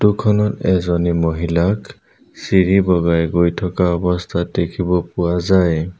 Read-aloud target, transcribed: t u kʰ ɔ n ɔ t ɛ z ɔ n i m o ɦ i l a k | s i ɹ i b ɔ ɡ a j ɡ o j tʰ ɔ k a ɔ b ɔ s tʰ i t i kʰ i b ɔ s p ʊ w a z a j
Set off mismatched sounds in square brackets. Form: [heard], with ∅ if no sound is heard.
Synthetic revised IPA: t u kʰ ɔ n ɔ t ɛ z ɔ n i m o ɦ i l a k | s i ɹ i b ɔ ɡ a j ɡ o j tʰ ɔ k a ɔ b ɔ s tʰ [a] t [e] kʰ i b ɔ [∅] p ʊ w a z a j